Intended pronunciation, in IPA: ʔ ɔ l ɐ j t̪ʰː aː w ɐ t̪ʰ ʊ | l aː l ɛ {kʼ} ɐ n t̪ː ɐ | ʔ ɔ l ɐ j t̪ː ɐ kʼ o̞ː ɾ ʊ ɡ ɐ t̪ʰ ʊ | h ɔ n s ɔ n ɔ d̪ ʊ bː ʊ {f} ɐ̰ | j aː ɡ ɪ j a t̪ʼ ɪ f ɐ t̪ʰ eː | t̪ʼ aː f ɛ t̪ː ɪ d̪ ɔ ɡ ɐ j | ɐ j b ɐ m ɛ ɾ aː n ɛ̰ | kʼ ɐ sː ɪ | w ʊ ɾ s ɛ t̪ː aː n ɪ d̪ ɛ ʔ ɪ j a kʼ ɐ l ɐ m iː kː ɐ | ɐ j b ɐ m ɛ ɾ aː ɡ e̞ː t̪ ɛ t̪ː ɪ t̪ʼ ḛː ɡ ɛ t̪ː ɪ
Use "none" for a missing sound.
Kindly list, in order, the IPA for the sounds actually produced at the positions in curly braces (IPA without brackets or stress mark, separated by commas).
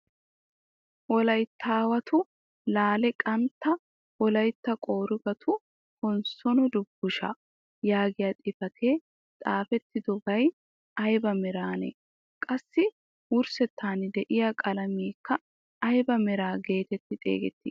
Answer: kʼ, ʃ